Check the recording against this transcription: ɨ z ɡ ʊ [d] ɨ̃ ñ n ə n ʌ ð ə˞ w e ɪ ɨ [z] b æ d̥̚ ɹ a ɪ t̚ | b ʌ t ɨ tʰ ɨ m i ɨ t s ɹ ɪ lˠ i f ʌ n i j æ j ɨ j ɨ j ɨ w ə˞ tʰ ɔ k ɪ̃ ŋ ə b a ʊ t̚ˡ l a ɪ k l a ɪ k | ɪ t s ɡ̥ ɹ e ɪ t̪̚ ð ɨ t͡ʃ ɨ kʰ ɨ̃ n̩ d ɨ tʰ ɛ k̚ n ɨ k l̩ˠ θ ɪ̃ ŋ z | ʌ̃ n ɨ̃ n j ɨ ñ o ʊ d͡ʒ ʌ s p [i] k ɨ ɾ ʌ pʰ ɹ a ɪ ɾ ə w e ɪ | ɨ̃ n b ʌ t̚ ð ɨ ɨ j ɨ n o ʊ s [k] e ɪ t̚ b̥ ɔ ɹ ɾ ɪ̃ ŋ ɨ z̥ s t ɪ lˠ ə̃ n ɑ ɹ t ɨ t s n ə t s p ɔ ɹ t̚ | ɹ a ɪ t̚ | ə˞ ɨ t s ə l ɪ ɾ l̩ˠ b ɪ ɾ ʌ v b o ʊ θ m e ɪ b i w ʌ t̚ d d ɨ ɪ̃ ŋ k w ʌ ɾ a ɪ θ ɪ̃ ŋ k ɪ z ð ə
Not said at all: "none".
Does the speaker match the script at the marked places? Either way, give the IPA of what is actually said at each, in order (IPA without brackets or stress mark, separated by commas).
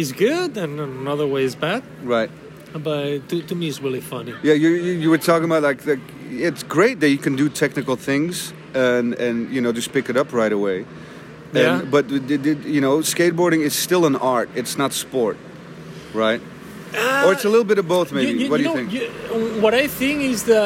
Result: d, z, ɪ, k